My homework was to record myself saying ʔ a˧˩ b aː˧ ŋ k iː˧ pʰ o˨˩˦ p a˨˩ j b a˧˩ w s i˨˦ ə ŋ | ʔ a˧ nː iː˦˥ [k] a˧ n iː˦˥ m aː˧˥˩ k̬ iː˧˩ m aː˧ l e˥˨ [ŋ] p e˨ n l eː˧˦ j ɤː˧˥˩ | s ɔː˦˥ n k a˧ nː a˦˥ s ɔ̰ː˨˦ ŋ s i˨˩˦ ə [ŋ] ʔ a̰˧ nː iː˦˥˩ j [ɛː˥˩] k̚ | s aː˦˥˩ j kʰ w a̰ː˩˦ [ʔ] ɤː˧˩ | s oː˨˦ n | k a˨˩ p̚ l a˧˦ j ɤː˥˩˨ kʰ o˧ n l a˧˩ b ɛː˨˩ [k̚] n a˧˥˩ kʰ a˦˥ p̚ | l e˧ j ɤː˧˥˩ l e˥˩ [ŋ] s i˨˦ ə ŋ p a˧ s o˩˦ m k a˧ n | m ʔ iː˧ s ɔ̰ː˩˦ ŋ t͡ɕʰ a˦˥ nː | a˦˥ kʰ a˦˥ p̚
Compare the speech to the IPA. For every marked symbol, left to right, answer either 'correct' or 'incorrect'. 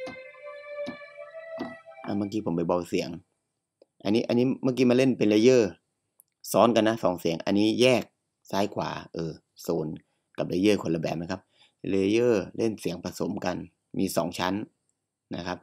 incorrect, incorrect, correct, correct, correct, incorrect, incorrect

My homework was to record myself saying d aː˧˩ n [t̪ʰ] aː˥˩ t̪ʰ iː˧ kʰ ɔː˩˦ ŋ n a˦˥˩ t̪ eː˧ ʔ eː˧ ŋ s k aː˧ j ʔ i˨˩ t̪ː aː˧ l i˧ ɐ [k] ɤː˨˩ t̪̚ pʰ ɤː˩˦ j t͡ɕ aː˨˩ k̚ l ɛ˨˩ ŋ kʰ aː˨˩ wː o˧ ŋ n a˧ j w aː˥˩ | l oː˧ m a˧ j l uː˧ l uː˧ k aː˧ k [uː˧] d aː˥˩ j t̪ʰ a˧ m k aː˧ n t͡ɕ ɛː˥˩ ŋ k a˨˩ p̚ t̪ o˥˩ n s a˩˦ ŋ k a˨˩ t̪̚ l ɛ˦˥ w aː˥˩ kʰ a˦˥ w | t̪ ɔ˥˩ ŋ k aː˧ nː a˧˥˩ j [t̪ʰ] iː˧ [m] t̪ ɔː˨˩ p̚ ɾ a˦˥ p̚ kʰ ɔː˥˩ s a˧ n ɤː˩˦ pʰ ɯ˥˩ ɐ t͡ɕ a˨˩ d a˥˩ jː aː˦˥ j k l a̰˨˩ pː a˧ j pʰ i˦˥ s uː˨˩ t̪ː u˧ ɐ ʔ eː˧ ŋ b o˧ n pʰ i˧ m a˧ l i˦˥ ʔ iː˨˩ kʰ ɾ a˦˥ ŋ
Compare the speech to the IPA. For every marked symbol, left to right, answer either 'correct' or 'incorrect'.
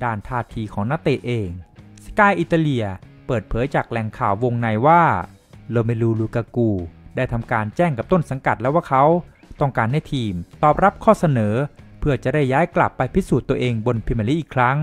correct, incorrect, correct, correct, correct

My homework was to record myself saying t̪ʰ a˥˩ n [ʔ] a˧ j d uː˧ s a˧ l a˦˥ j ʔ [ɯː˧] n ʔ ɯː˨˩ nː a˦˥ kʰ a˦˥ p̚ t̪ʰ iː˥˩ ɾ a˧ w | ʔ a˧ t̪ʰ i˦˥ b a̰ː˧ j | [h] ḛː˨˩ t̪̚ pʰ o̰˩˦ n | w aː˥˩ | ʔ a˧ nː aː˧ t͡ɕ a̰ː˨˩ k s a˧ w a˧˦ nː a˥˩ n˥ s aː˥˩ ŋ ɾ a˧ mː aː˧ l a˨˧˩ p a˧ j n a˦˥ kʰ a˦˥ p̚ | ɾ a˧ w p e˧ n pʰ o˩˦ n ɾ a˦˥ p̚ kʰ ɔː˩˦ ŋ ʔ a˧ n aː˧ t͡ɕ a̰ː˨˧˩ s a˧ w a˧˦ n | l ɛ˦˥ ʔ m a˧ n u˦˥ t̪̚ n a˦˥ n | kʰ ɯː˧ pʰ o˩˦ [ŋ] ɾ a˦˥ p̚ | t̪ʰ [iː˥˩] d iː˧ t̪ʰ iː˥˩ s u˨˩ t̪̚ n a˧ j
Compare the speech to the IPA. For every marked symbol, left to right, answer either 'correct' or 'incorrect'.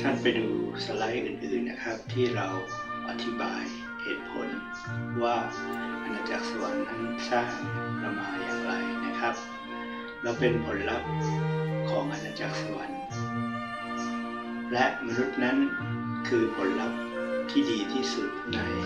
incorrect, incorrect, correct, incorrect, correct

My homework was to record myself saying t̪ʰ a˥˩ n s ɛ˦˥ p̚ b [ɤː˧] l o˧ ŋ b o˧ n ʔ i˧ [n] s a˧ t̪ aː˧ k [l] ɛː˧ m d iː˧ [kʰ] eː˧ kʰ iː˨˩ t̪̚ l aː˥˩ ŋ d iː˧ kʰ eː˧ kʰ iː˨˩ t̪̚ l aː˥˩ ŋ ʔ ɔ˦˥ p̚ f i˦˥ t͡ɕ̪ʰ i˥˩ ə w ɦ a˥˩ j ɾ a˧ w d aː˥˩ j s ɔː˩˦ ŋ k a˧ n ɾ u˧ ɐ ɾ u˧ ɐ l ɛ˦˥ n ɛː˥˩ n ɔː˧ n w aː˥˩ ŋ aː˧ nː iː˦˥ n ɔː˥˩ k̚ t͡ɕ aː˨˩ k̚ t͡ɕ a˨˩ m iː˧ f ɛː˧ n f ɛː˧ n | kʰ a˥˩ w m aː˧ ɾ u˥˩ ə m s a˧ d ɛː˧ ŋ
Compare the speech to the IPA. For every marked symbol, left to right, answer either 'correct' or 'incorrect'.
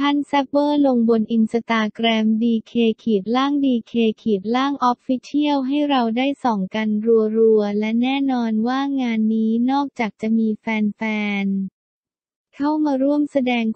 incorrect, correct, incorrect, correct

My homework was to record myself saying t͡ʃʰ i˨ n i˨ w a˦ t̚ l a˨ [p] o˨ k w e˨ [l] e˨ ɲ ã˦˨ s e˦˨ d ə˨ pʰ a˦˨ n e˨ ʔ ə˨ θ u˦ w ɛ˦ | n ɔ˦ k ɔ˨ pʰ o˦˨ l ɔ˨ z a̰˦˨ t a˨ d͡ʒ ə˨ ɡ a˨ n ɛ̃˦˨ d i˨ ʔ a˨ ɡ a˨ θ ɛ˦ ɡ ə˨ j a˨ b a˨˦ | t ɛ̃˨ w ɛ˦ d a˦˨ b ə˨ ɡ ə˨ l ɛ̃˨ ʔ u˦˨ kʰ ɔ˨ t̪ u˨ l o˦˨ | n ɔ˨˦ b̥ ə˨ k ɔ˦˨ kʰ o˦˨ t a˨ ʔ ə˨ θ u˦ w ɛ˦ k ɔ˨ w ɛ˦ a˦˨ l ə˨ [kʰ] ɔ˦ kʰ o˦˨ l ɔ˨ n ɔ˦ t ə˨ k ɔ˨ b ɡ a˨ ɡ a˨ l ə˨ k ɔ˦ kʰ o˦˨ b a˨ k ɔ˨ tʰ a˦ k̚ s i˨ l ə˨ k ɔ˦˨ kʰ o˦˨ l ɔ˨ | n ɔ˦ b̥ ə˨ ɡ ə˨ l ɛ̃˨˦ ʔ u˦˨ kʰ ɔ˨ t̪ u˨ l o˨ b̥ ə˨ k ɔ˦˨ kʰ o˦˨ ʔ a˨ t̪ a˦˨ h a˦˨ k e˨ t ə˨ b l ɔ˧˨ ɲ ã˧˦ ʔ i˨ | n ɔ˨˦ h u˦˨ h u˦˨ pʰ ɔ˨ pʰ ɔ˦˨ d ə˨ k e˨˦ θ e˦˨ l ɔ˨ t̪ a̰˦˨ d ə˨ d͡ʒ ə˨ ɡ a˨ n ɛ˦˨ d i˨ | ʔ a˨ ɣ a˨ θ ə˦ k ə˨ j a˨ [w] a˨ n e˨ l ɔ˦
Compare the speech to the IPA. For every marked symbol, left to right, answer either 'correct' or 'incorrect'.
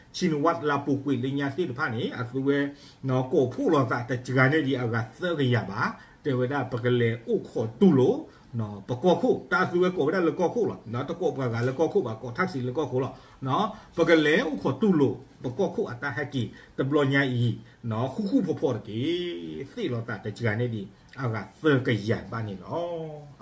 correct, correct, incorrect, incorrect

